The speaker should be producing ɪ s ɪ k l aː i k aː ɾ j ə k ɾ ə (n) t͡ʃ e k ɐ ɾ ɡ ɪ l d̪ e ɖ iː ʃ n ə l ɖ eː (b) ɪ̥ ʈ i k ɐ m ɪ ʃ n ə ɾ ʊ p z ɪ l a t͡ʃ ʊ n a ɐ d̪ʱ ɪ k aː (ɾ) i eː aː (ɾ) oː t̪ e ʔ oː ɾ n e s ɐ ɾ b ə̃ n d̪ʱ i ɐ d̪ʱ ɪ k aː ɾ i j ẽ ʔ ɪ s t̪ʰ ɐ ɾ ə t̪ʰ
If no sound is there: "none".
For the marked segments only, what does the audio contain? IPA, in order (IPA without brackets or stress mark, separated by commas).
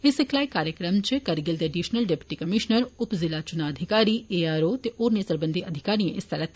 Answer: m, p, ɾ, ɾ